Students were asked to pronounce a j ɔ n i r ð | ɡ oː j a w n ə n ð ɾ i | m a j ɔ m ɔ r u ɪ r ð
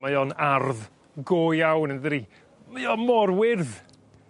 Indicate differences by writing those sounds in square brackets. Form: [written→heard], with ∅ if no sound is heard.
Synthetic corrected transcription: a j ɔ n [i→a] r ð | ɡ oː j a w n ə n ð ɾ i | m a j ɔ m ɔ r [u→w] ɪ r ð